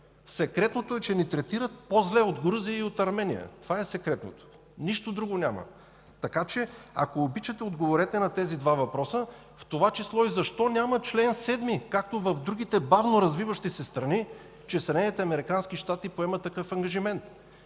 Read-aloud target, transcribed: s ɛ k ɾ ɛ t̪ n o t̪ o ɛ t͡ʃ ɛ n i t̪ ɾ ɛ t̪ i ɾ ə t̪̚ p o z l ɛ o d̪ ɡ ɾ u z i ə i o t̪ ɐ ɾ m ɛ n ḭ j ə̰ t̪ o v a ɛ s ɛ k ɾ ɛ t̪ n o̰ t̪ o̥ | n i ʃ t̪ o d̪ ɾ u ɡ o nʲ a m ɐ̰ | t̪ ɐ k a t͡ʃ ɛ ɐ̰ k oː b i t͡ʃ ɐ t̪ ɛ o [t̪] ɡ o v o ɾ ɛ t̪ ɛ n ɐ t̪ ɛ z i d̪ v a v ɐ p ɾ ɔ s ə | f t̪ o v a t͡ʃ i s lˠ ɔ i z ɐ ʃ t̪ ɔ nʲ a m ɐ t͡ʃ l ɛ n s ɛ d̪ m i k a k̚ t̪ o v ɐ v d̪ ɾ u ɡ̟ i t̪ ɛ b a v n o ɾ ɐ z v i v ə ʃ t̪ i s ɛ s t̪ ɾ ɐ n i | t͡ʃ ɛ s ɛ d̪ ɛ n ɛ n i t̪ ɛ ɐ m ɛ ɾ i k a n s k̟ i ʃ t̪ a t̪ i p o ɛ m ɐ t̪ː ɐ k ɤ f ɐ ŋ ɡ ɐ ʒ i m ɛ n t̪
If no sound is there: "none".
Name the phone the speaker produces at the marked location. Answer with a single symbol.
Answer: d̪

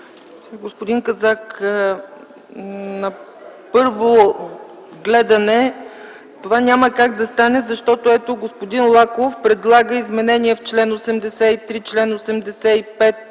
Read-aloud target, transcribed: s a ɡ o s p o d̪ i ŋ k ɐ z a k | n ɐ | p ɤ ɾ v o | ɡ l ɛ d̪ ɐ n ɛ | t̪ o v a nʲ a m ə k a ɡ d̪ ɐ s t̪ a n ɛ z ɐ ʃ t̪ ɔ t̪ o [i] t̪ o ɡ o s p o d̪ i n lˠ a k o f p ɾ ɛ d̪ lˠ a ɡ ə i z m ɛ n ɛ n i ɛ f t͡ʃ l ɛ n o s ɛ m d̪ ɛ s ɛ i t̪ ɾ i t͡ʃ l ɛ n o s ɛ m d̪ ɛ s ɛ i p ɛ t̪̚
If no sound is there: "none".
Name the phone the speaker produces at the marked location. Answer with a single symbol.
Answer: ɛ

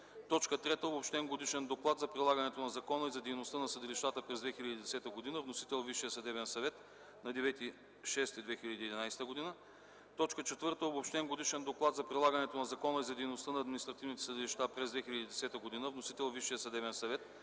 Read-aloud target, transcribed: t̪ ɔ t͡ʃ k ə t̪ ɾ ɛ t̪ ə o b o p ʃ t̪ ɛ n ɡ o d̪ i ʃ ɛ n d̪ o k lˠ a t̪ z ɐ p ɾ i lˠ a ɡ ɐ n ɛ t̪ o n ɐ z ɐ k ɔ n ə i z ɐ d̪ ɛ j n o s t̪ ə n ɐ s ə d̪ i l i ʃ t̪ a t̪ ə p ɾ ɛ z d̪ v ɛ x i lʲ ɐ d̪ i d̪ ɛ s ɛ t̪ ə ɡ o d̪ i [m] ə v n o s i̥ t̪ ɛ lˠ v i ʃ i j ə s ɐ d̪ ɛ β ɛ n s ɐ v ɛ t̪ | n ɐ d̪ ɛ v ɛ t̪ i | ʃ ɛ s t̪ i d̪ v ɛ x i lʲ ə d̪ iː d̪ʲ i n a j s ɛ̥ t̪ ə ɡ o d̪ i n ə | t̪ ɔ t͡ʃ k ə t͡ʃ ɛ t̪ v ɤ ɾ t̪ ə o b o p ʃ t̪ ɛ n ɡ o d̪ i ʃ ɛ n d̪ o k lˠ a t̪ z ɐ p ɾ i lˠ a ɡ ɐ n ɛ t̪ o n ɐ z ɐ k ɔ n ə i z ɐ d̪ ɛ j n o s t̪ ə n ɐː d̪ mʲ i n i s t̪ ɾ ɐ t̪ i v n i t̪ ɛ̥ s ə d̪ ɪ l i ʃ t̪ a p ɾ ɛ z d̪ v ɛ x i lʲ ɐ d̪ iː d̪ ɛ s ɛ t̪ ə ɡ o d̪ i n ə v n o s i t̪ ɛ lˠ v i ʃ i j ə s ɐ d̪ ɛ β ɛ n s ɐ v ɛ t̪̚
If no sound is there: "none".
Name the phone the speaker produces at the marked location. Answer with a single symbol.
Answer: n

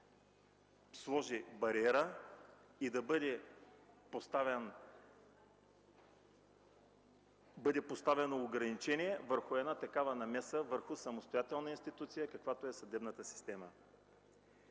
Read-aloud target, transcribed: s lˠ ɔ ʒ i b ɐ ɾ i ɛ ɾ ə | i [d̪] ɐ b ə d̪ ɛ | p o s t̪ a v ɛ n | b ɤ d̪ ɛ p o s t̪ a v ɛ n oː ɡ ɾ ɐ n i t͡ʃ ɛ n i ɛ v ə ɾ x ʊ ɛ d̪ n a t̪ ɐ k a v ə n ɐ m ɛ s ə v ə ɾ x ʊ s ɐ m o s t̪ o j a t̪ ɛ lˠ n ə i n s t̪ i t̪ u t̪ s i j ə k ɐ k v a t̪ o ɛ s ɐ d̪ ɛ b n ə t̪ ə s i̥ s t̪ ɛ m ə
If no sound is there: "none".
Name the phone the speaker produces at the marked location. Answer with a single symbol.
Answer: d̪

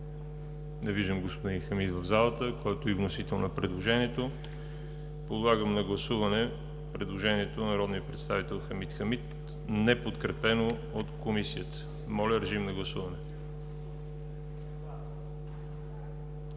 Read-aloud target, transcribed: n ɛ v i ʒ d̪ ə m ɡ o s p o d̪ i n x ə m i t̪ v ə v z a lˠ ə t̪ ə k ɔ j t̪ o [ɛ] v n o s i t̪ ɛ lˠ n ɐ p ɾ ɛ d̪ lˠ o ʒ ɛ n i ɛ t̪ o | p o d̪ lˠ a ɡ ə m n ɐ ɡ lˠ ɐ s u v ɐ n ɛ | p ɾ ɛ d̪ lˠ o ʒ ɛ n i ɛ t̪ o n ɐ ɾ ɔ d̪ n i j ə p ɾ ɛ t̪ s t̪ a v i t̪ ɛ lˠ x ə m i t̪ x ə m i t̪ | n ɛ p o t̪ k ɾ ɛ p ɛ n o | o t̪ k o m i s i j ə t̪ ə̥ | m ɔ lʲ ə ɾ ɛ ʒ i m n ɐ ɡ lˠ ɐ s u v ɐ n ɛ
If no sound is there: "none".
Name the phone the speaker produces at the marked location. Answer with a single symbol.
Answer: i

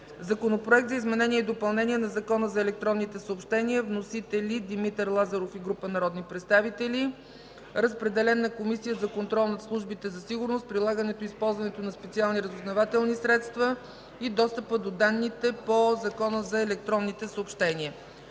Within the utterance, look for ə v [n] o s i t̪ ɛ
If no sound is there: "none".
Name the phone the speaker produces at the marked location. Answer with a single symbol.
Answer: n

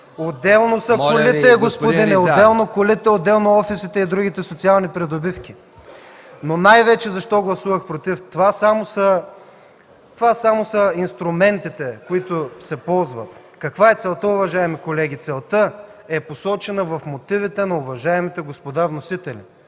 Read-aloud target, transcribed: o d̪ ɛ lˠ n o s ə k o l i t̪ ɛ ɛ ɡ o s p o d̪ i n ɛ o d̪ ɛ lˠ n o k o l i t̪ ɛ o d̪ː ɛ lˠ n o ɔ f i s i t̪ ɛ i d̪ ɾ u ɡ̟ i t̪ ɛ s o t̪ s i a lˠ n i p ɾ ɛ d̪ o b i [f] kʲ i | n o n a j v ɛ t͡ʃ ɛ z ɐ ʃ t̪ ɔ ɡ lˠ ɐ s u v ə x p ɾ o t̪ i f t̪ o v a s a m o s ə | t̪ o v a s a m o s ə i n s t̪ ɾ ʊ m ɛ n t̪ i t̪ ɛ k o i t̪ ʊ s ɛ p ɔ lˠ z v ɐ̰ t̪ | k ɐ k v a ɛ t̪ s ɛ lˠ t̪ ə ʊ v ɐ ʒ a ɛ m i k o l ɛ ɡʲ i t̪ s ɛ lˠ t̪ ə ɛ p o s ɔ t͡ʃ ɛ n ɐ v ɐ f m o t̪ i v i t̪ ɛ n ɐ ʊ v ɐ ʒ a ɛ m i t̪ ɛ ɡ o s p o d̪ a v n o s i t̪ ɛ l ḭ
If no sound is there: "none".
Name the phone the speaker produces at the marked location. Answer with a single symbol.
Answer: f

